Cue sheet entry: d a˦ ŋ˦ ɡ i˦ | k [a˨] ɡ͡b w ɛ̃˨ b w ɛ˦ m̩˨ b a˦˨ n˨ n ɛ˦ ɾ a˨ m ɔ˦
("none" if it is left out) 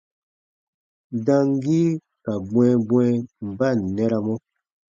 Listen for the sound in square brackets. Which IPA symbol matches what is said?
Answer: a˨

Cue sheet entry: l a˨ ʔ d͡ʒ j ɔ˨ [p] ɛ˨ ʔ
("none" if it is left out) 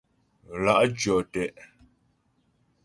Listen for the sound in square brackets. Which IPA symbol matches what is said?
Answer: t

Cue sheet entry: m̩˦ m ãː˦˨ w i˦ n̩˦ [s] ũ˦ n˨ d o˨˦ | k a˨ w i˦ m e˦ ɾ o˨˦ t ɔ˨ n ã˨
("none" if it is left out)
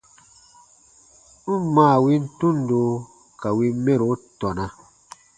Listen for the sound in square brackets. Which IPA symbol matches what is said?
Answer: t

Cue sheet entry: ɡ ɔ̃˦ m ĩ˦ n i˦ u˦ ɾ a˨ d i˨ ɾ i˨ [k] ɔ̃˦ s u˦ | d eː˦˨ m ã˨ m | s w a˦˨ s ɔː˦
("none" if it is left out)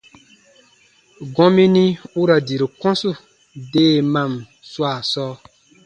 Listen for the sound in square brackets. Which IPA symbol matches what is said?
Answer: k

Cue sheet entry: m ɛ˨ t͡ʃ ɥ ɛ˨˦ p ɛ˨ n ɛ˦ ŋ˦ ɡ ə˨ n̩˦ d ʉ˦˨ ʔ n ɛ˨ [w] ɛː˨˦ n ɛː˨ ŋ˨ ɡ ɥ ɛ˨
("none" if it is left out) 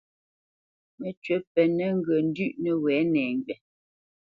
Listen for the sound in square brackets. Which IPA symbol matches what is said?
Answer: w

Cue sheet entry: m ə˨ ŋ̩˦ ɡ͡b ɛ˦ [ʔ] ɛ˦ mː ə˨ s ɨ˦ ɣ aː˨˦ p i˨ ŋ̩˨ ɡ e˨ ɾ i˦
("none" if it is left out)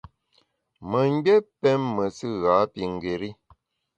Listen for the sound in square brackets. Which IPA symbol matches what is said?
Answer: p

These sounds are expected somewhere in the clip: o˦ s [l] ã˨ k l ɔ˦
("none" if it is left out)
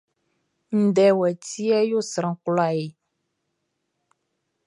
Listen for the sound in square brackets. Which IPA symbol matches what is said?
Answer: ɾ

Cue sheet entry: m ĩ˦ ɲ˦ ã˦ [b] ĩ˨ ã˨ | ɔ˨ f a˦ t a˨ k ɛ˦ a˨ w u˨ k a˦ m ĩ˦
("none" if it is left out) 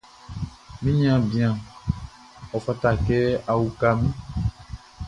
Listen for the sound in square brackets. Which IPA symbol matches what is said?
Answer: b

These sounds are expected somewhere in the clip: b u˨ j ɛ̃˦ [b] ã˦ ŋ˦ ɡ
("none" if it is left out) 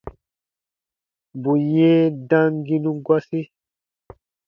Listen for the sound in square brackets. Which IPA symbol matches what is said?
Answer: d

